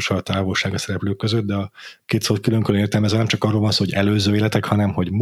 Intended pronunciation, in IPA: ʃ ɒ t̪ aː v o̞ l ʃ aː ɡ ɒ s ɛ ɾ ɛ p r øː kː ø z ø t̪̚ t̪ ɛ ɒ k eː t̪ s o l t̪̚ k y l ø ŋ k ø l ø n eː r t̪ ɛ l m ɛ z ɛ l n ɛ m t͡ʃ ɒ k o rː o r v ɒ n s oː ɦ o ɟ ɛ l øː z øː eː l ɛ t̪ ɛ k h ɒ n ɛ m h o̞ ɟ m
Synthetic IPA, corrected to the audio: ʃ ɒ t̪ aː v o̞ l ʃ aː ɡ ɒ s ɛ ɾ ɛ p l øː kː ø z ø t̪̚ d̪ ɛ ɒ k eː t̪ s o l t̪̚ k y l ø ŋ k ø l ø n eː r t̪ ɛ l m ɛ z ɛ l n ɛ m t͡ʃ ɒ k ɒ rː o l v ɒ n s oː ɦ o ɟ ɛ l øː z øː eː l ɛ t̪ ɛ k h ɒ n ɛ m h o̞ ɟ m